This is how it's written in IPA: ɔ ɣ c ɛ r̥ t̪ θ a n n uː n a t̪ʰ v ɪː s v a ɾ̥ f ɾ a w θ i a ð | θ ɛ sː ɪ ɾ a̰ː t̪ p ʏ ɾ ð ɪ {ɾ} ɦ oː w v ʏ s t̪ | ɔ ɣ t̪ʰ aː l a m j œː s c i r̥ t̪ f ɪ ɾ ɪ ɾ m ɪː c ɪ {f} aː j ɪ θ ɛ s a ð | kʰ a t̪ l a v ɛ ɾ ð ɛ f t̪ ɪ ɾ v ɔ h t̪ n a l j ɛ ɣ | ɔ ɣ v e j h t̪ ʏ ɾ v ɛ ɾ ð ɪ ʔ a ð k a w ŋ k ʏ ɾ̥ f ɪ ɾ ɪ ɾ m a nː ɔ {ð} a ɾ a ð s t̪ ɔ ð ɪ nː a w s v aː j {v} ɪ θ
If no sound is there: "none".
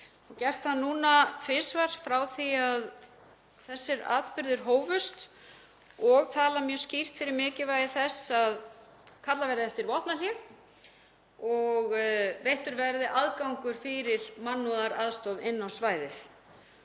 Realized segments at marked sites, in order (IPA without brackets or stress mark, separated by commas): ɾ, v, ð, ð